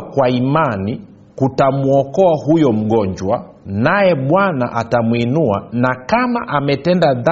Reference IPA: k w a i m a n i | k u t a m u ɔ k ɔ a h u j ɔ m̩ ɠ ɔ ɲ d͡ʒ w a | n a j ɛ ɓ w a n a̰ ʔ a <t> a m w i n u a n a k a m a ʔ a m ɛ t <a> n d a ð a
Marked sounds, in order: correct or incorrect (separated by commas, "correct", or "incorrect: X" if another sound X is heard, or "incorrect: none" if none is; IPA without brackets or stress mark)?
correct, incorrect: ɛ